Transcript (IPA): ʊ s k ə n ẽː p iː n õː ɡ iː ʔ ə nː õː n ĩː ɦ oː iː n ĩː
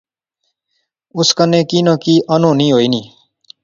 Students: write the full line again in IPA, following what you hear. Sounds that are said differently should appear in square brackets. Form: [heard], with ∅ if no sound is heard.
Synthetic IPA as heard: ʊ s k ə n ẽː [k] iː n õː [k] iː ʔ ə [n] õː n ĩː ɦ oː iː n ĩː